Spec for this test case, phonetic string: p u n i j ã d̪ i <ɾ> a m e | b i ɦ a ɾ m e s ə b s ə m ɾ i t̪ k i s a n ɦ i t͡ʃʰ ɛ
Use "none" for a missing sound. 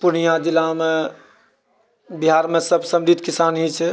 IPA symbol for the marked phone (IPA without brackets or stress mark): l